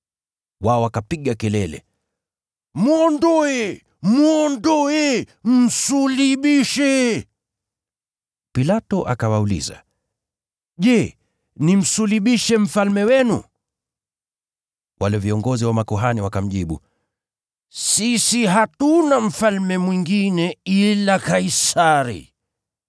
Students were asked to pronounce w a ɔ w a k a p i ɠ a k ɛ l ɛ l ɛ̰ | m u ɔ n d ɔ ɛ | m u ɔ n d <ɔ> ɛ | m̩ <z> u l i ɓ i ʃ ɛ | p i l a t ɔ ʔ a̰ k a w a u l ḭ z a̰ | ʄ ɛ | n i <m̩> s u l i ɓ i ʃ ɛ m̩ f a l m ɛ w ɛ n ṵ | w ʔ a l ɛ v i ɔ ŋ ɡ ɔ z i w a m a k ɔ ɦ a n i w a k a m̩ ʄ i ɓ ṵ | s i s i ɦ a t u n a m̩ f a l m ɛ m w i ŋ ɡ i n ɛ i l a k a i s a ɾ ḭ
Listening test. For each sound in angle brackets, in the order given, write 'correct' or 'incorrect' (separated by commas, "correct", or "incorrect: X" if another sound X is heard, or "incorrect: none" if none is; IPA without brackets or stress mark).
correct, incorrect: s, correct